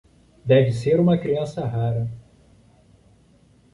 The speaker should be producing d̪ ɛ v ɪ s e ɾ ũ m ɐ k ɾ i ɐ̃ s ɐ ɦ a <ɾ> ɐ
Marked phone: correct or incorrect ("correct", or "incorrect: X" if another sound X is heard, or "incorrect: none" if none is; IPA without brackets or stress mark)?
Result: correct